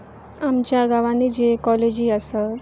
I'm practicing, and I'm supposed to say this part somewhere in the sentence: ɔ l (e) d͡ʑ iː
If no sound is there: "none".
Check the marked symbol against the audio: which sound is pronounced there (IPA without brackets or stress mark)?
e